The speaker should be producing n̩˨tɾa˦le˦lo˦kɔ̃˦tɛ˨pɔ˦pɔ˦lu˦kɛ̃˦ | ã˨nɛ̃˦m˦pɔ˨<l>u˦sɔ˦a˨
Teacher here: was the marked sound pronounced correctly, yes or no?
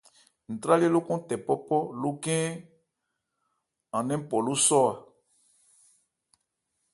yes